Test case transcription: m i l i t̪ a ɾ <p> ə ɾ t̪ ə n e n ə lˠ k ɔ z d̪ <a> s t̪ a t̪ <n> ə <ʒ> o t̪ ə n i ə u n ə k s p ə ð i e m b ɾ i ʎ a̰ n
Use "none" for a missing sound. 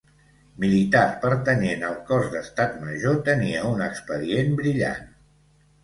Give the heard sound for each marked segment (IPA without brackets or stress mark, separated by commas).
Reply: p, ə, m, ʒ